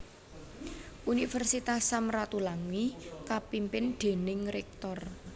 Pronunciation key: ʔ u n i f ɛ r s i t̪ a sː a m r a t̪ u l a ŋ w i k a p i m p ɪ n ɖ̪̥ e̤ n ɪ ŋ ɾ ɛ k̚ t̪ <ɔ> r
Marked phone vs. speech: correct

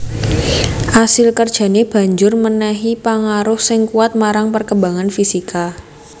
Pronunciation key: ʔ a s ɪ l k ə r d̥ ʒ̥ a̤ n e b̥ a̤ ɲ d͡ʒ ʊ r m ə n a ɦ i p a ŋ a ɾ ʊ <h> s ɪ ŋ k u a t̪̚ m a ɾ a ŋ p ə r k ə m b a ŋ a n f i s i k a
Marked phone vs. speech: correct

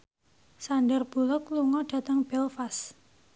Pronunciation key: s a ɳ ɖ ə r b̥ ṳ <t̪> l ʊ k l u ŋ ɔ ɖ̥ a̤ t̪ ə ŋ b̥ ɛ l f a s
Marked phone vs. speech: incorrect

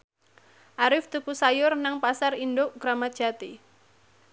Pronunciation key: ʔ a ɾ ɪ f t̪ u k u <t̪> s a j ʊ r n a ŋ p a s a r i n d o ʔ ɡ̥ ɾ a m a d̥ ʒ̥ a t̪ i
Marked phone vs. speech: incorrect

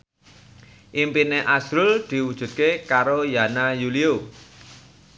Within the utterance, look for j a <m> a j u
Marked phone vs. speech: incorrect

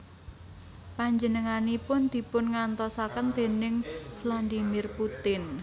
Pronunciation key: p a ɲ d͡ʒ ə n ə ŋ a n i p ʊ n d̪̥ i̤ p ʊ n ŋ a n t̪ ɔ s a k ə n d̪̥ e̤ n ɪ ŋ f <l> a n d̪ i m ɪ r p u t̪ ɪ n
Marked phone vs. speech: correct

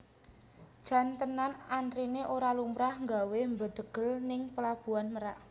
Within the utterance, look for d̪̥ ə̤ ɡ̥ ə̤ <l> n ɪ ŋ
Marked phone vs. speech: correct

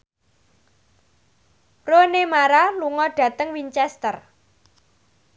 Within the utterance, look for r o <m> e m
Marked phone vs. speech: incorrect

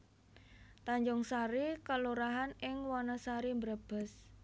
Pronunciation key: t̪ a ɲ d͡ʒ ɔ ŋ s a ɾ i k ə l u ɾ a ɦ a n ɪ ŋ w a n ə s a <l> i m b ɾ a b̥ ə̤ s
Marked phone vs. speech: incorrect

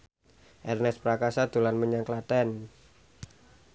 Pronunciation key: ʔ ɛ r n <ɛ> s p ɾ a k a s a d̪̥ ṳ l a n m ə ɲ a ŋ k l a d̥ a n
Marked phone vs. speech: correct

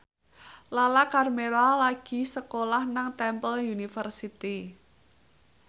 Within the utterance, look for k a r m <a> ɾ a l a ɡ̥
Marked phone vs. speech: incorrect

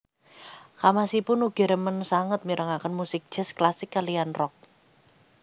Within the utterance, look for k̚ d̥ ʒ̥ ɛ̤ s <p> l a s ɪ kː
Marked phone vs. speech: incorrect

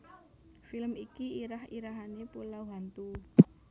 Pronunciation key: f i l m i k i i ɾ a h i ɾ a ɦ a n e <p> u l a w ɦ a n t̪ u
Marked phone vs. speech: correct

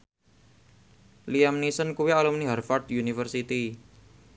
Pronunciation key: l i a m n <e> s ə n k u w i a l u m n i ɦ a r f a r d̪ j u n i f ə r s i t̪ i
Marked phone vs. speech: incorrect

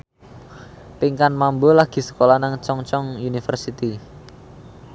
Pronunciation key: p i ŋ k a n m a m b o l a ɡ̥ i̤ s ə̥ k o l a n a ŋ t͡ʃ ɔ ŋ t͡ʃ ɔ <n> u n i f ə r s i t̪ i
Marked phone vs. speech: incorrect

